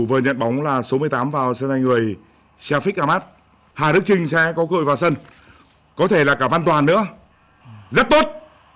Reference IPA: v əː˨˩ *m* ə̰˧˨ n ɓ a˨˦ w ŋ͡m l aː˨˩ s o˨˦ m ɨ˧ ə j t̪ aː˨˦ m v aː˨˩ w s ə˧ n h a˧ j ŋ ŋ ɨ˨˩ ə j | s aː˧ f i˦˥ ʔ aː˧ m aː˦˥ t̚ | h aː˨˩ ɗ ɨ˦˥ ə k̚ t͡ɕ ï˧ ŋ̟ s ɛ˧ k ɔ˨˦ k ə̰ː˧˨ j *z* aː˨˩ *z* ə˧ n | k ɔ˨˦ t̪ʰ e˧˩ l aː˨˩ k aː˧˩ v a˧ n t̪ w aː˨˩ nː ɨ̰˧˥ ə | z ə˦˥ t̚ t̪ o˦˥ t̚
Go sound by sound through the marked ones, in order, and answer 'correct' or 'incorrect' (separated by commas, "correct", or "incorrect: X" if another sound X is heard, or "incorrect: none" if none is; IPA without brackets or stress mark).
incorrect: ɲ, incorrect: v, incorrect: s